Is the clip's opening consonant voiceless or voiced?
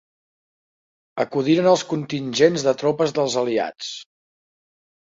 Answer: voiceless